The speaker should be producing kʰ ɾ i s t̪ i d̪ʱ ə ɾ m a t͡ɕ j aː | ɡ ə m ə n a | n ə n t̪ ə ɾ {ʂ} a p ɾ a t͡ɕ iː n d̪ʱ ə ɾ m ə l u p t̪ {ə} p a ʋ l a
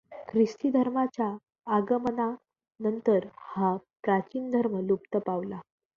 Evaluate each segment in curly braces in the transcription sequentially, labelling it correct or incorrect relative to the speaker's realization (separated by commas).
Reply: incorrect, correct